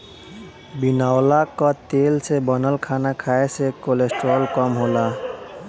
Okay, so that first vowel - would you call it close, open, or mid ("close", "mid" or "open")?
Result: close